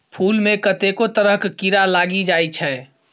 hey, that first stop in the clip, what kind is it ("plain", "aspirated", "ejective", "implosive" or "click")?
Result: aspirated